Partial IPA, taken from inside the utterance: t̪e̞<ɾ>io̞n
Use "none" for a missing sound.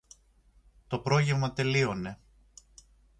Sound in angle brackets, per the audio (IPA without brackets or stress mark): l